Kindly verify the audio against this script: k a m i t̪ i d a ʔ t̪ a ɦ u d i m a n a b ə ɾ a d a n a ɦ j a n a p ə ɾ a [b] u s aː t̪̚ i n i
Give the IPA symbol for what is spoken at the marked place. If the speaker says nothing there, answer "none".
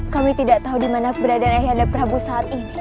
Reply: b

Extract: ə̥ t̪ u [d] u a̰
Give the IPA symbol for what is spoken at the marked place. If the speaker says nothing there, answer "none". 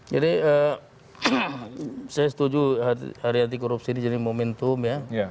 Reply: d͡ʒ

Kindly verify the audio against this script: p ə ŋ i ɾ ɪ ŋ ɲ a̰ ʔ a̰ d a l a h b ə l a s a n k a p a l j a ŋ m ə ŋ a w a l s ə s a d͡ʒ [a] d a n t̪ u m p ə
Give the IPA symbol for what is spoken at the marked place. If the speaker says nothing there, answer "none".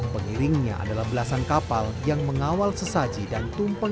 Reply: i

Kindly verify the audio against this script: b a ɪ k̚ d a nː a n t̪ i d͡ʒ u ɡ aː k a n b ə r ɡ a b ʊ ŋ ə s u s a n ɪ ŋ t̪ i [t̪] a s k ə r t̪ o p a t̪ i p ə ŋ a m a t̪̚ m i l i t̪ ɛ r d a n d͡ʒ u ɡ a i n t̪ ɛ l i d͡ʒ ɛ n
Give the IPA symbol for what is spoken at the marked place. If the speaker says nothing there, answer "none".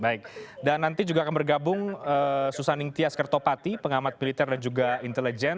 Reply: none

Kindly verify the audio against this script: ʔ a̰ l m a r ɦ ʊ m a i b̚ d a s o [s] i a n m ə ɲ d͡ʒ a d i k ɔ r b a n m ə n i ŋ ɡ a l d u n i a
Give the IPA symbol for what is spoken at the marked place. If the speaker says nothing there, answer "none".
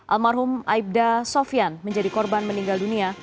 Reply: f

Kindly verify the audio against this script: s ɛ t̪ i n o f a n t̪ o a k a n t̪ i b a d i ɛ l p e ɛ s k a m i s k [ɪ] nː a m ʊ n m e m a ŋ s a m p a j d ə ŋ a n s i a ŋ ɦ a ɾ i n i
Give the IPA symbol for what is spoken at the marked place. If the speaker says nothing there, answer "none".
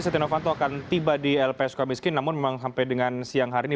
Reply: ɪ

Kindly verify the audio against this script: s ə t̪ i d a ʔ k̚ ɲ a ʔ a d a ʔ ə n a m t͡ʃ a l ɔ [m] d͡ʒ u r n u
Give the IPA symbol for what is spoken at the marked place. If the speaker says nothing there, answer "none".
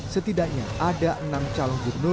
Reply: ŋ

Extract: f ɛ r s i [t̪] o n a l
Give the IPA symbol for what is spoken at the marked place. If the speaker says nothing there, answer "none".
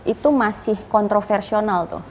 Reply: none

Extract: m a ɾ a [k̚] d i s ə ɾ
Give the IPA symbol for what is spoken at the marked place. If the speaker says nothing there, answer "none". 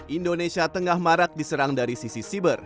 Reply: k̚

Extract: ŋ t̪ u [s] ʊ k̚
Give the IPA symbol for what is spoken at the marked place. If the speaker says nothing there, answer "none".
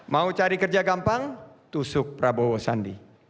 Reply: s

